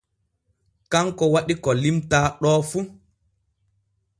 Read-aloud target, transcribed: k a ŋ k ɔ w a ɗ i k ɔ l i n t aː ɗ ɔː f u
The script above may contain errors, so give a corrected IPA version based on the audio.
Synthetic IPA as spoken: k a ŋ k ɔ w a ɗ i k ɔ l i m t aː ɗ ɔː f u